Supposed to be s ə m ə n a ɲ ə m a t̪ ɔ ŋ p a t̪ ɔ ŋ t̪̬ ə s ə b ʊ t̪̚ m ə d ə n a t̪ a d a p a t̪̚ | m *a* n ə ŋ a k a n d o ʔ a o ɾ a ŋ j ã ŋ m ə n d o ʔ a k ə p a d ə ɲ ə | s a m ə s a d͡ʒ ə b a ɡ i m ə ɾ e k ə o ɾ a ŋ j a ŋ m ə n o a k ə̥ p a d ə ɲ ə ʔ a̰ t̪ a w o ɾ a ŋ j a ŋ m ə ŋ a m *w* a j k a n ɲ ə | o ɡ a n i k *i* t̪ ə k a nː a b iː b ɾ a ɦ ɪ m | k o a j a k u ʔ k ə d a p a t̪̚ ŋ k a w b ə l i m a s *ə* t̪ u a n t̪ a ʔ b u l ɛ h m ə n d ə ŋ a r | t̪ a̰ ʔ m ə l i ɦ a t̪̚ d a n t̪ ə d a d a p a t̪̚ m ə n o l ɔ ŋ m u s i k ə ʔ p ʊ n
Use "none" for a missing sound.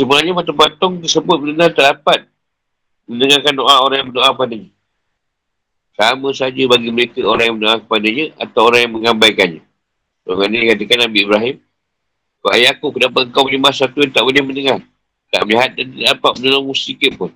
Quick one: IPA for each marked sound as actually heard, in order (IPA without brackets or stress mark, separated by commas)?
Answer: ə, b, a, a